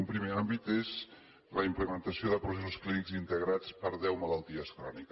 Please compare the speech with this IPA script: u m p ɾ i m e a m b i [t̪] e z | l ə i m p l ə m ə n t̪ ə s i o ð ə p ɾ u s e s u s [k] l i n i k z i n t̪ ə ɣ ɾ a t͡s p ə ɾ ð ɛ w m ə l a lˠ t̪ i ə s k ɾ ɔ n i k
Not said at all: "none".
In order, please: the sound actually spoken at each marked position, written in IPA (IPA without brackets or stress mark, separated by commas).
t̪, k